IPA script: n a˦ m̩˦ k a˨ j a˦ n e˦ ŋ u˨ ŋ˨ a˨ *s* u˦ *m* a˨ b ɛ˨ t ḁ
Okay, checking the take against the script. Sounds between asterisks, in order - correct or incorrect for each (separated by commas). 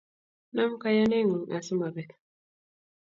correct, correct